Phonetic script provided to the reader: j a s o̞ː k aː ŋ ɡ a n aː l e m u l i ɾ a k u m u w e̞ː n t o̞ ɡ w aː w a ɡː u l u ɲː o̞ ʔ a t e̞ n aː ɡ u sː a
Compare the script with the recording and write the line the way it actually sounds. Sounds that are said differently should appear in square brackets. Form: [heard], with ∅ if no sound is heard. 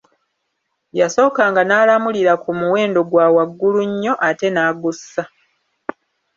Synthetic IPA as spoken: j a s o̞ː k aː ŋ ɡ a n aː l [a] m u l i ɾ a k u m u w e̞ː n [d] o̞ ɡ w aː w a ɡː u l u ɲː o̞ ʔ a t e̞ n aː ɡ u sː a